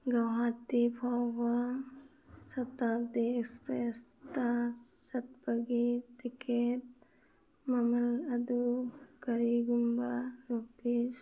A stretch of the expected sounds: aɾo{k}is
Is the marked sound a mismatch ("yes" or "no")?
yes